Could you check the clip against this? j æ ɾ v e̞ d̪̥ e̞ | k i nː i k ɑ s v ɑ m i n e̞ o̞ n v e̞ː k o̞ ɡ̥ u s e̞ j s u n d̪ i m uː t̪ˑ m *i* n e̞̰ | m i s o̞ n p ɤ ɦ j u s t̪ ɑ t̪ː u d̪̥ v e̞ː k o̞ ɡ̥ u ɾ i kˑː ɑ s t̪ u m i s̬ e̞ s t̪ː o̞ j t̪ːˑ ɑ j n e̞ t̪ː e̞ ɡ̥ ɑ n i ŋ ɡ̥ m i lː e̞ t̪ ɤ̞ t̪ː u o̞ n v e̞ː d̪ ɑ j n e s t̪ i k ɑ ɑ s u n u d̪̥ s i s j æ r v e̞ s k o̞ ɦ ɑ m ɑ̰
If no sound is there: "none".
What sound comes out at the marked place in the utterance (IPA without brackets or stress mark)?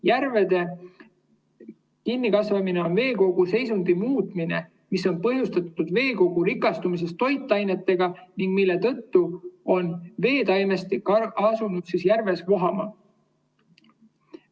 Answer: i